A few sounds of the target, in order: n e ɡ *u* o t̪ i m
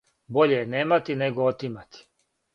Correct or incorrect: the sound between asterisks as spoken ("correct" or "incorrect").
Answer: incorrect